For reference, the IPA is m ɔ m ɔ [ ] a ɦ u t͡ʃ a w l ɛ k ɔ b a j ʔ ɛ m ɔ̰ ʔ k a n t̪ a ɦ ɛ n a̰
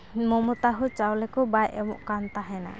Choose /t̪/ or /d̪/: t̪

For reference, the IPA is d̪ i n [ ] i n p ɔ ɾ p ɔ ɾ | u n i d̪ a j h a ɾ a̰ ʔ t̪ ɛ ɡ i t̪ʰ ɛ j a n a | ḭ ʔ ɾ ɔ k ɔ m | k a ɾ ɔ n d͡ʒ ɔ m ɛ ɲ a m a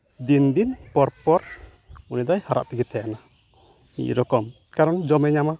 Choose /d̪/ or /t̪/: d̪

